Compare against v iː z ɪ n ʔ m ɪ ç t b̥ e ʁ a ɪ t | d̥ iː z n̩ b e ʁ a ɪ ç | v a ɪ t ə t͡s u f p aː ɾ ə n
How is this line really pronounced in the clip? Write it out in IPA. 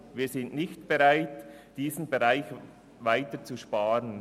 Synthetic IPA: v iː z ɪ n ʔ n ɪ ç t b̥ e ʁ a ɪ t | d̥ iː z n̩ b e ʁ a ɪ ç | v a ɪ t ə t͡s u ʃ p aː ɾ ə n